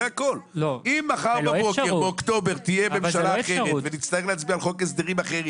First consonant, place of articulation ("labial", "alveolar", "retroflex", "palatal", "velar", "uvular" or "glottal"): velar